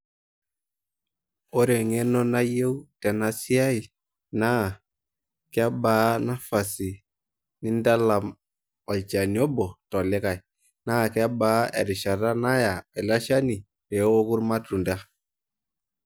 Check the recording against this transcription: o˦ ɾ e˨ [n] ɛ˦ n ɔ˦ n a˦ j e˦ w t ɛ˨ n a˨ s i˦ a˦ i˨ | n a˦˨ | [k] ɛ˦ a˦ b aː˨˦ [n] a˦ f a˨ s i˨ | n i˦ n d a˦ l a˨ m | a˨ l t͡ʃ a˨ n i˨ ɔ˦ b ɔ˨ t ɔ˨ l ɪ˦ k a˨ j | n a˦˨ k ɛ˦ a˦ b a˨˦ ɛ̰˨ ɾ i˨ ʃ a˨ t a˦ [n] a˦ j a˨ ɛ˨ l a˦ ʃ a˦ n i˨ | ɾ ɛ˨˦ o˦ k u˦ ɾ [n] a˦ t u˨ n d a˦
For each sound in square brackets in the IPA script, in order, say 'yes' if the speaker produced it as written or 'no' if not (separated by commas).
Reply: no, yes, yes, yes, no